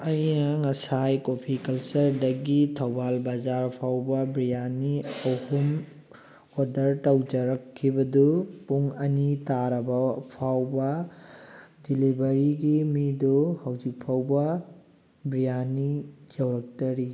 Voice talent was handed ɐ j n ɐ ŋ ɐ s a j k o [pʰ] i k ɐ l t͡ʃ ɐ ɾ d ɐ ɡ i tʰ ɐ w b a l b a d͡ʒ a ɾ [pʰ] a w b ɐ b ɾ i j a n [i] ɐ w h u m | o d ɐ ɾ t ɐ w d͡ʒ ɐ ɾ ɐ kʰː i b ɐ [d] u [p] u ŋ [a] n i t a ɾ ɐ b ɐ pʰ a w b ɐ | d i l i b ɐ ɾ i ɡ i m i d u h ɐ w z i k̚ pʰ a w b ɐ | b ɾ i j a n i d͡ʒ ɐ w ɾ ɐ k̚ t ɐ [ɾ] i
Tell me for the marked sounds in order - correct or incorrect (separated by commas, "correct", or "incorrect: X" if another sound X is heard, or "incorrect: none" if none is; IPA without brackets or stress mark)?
correct, correct, correct, correct, correct, incorrect: ɐ, correct